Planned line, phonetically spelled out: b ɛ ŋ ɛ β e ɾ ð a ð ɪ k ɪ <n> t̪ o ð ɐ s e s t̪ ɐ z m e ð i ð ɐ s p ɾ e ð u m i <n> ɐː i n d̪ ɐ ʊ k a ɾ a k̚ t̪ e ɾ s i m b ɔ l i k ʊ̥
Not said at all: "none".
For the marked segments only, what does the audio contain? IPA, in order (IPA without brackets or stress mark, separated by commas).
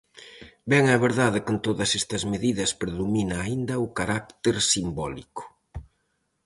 n, n